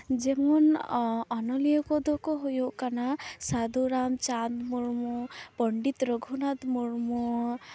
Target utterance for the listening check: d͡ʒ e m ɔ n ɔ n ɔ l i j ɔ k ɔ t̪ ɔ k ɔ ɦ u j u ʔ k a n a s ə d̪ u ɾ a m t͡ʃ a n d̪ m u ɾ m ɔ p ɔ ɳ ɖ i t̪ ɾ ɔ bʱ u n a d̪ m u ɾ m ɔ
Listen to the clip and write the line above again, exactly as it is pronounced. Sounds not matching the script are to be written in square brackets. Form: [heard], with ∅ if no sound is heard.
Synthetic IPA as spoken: d͡ʒ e m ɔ n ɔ n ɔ l i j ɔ k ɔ [d̪] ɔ k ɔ ɦ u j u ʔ k a n a s [a] d̪ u ɾ a m t͡ʃ a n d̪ m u ɾ m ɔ p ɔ ɳ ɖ i t̪ ɾ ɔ [ɡʱ] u n a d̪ m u ɾ m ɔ